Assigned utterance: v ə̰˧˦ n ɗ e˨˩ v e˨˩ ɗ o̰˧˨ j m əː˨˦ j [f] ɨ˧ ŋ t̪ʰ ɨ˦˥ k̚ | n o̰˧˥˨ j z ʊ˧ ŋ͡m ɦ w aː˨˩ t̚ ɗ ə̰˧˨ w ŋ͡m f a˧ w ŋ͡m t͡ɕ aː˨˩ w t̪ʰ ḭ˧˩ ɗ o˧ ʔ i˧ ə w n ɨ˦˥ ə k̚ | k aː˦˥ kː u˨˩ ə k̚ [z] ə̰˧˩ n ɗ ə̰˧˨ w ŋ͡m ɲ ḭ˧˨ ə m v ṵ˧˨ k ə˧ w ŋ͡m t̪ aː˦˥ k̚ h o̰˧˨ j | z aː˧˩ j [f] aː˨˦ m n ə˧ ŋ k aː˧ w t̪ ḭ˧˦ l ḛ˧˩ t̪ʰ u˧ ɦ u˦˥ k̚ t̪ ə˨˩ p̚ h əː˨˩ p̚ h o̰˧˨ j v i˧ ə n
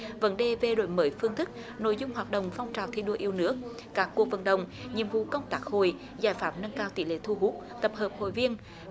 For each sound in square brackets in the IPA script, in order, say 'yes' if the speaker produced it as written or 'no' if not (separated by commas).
yes, no, yes